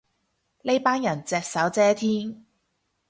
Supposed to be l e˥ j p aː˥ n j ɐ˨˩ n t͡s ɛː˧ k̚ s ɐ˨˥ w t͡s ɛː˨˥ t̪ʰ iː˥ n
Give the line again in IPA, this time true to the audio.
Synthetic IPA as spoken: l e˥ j p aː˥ n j ɐ˨˩ n t͡s ɛː˧ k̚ s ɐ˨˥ w t͡s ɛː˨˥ t̪ʰ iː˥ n